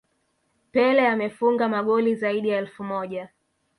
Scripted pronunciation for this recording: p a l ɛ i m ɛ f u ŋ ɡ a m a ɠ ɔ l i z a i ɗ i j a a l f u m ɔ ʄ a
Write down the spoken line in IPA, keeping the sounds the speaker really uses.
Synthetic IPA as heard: p ɛ l ɛ a m ɛ f u ŋ ɡ a m a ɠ ɔ l i z a i ɗ i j a ɛ l f u m ɔ ʄ a